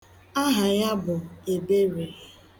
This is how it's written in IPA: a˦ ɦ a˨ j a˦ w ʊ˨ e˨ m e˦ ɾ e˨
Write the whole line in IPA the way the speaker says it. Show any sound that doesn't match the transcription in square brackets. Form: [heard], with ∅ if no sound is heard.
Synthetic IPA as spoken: a˦ ɦ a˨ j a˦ [b] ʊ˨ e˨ [b] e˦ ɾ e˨